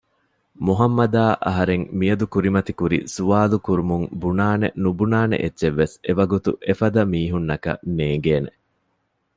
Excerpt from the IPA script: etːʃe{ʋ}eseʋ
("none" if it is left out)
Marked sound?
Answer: ʋː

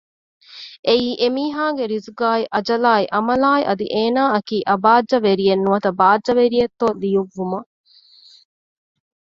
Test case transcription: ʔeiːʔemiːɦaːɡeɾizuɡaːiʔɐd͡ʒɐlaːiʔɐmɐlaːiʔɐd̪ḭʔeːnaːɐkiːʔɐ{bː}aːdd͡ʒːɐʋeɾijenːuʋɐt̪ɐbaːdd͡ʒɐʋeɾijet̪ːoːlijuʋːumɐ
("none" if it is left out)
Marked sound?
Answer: b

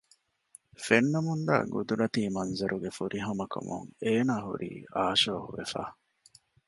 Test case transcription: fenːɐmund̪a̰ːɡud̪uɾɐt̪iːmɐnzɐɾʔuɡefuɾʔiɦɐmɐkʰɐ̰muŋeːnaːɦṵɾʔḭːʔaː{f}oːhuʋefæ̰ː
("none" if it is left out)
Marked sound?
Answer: ʃ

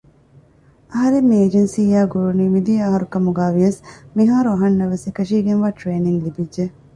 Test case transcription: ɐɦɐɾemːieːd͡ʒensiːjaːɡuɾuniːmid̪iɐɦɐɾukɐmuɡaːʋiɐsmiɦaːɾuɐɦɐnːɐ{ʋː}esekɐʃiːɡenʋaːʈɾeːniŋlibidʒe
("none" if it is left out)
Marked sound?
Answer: ʋ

